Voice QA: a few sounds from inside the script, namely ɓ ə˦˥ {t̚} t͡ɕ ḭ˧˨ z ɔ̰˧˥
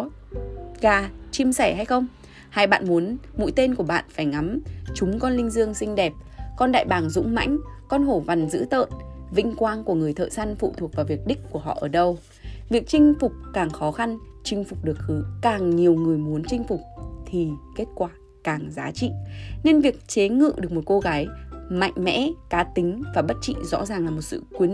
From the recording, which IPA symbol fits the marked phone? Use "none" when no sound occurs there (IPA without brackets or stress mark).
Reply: t̚